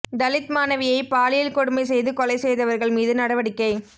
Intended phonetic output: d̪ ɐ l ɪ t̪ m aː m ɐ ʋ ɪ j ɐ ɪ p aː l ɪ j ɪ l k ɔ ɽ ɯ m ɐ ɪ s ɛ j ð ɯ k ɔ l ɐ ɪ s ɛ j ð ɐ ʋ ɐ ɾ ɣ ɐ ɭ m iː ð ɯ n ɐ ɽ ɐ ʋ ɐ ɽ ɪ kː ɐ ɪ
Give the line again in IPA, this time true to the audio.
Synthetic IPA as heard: d̪ ɐ l ɪ t̪ m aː n ɐ ʋ ɪ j ɐ ɪ p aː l ɪ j ɪ l k ɔ ɽ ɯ m ɐ ɪ s ɛ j ð ɯ k ɔ l ɐ ɪ s ɛ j ð ɐ ʋ ɐ ɾ ɣ ɐ ɭ m iː ð ɯ n ɐ ɽ ɐ ʋ ɐ ɽ ɪ kː ɐ ɪ

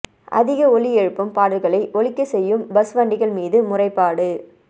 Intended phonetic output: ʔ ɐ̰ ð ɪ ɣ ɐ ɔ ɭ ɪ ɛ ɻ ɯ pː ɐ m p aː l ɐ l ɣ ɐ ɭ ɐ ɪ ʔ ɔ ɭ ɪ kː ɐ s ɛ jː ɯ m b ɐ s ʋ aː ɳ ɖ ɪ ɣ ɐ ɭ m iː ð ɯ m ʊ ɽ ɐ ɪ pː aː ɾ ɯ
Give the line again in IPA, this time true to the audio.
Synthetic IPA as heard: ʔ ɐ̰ ð ɪ ɣ ɐ ɔ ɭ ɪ ɛ ɻ ɯ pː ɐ m p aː ɽ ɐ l ɣ ɐ ɭ ɐ ɪ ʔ ɔ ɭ ɪ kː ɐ s ɛ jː ɯ m b ɐ s ʋ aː ɳ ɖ ɪ ɣ ɐ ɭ m iː ð ɯ m ʊ r ɐ ɪ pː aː ɽ ɯ

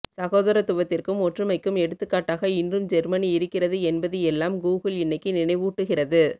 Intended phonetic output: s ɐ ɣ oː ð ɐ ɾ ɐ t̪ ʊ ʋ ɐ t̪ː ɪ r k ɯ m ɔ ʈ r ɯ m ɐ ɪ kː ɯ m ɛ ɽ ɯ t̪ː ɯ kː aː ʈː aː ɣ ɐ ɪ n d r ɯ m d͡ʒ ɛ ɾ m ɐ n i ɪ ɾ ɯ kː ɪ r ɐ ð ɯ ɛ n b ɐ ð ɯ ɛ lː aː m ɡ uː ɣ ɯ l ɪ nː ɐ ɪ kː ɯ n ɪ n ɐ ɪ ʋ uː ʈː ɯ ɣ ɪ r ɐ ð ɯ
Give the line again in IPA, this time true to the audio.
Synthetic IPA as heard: s ɐ ɣ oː ð ɐ ɾ ɐ t̪ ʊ ʋ ɐ t̪ː ɪ r k ɯ m ɔ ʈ r ɯ m ɐ ɪ kː ɯ m ɛ ɽ ɯ t̪ː ɯ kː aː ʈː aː ɣ ɐ ɪ n d r ɯ m d͡ʒ ɛ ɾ m ɐ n i ɪ ɾ ɯ kː ɪ r ɐ ð ɯ ɛ n b ɐ ð ɯ ɛ lː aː m ɡ uː ɣ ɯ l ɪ nː ɐ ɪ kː ɯ n ɪ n ɐ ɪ ʋ uː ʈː ɯ ɣ ɪ r ɐ ð ɯ

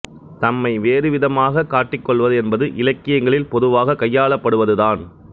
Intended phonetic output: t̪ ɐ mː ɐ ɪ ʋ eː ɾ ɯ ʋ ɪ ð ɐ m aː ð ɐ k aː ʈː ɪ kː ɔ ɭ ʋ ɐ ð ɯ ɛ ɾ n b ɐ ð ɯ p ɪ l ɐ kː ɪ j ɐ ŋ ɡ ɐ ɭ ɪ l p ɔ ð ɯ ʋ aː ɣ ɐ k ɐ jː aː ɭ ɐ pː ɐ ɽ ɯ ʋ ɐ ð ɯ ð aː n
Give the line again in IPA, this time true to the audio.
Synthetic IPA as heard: t̪ ɐ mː ɐ ɪ ʋ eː ɾ ɯ ʋ ɪ ð ɐ m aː ɣ ɐ k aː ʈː ɪ kː ɔ ɭ ʋ ɐ ð ɯ ɛ n b ɐ ð ɯ ʔ ɪ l ɐ kː ɪ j ɐ ŋ ɡ ɐ ɭ ɪ l p ɔ ð ɯ ʋ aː ɣ ɐ k ɐ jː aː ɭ ɐ pː ɐ ɽ ɯ ʋ ɐ ð ɯ ð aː n

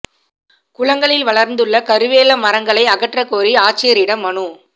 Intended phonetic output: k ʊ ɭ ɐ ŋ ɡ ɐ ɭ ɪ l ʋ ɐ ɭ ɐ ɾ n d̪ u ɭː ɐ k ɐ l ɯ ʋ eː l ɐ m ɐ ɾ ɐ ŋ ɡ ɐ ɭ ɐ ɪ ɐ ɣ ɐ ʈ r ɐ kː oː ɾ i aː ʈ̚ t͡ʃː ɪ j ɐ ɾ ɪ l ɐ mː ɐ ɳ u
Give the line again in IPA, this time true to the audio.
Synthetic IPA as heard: k ʊ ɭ ɐ ŋ ɡ ɐ ɭ ɪ l ʋ ɐ ɭ ɐ ɾ n d̪ ɯ ɭː ɐ k ɐ ɾ ɯ ʋ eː l ɐ m ɐ ɾ ɐ ŋ ɡ ɐ ɭ ɐ ɪ ɐ ɣ ɐ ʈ r ɐ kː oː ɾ i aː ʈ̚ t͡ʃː ɪ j ɐ ɾ ɪ ɽ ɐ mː ɐ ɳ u

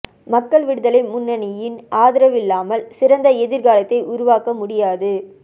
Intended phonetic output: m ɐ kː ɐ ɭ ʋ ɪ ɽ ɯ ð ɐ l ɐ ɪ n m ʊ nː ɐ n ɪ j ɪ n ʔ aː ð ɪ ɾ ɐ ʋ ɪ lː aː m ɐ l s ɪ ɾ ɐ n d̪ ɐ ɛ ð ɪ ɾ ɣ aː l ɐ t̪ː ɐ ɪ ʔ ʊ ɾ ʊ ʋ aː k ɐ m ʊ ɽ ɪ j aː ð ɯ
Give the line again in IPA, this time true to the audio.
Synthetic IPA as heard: m ɐ kː ɐ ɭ ʋ ɪ ɽ ɯ ð ɐ l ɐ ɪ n m ʊ nː ɐ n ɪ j ɪ n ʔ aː ð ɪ ɾ ɐ ʋ ɪ lː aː m ɐ l s ɪ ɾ ɐ n d̪ ɐ ɛ ð ɪ ɾ ɣ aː l ɐ t̪ː ɐ ɪ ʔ ʊ ɾ ʊ ʋ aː k ɐ m ʊ ɽ ɪ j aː ð ɯ

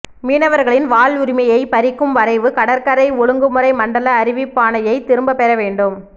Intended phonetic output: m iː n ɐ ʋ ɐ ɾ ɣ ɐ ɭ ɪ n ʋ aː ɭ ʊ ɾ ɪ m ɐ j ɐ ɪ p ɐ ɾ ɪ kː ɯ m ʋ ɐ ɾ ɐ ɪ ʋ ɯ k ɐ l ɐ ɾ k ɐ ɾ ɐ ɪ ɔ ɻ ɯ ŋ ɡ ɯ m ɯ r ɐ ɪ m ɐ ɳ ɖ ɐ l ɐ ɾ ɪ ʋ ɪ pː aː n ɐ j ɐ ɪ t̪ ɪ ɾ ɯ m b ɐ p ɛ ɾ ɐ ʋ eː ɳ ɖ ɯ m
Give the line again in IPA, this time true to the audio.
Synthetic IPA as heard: m iː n ɐ ʋ ɐ ɾ ɣ ɐ ɭ ɪ n ʋ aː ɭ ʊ ɾ ɪ m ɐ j ɐ ɪ p ɐ ɾ ɪ kː ɯ m ʋ ɐ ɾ ɐ ɪ ʋ ɯ k ɐ ɽ ɐ ɾ k ɐ ɾ ɐ ɪ ɔ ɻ ɯ ŋ ɡ ɯ m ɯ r ɐ ɪ m ɐ ɳ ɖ ɐ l ɐː ɾ ɪ ʋ ɪ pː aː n ɐ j ɐ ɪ t̪ ɪ ɾ ɯ m b ɐ p ɛ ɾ ɐ ʋ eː ɳ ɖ ɯ m

